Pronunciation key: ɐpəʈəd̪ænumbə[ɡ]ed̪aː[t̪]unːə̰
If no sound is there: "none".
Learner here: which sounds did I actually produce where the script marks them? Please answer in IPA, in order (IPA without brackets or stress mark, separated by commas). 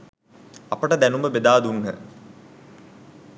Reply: b, d̪